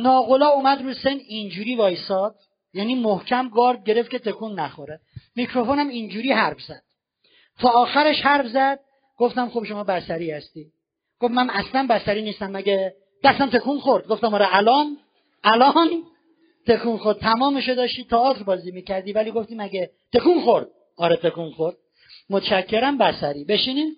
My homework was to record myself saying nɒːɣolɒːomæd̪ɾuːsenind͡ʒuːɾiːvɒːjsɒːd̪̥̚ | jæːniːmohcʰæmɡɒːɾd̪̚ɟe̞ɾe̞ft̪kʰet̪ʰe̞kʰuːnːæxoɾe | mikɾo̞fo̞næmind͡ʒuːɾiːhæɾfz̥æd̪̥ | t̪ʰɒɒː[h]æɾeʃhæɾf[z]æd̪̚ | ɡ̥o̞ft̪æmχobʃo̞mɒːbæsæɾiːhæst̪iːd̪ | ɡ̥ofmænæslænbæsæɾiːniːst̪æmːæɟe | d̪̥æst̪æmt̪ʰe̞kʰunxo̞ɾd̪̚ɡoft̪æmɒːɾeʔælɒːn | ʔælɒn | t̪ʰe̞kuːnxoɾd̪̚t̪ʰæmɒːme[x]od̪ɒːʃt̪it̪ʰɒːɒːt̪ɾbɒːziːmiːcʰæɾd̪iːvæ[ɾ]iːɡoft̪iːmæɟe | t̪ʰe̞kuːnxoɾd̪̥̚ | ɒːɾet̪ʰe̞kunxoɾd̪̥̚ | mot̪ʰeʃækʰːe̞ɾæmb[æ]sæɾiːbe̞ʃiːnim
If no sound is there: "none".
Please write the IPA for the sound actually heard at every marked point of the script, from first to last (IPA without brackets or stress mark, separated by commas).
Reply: x, z, ʃ, l, æ